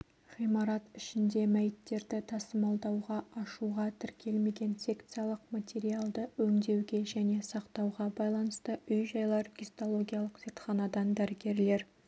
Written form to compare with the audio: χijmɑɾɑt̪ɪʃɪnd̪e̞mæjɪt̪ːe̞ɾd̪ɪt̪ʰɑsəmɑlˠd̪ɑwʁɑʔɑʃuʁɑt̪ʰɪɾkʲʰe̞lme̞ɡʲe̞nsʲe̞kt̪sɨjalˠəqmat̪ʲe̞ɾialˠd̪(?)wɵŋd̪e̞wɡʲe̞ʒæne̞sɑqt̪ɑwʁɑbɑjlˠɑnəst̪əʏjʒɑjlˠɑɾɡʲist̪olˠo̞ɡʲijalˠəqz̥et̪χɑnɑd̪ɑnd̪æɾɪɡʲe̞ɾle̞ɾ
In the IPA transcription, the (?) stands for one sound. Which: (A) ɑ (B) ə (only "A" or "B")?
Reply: B